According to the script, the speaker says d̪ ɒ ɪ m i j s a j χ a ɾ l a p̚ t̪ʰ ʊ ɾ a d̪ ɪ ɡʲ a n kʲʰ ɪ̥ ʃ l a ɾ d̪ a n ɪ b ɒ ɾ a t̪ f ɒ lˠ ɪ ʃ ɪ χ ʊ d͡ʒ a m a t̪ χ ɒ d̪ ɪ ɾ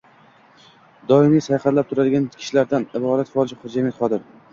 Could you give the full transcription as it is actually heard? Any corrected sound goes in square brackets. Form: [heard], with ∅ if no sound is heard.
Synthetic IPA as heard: d̪ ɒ ɪ m i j s a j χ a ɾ l a p̚ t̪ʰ ʊ ɾ a d̪ ɪ ɡʲ a n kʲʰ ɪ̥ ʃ l a ɾ d̪ a n ɪ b ɒ ɾ a t̪ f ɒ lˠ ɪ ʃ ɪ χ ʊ d͡ʒ a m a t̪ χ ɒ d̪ ɪ ɾ

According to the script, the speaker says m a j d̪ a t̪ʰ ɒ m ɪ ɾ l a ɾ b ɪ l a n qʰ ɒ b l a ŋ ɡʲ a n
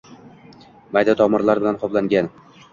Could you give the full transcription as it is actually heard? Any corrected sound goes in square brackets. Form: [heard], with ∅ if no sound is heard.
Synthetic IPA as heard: m a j d̪ a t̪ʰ ɒ m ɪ ɾ l a ɾ b ɪ l a n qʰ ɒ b l a ŋ ɡʲ a n

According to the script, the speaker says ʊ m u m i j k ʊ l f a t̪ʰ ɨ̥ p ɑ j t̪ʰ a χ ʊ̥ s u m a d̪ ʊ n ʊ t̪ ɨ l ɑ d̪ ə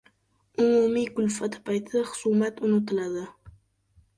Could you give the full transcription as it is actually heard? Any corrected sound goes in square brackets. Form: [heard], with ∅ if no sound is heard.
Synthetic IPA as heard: ʊ m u m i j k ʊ l f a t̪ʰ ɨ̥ p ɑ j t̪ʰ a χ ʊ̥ s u m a [t̪] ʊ n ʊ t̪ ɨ l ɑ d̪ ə

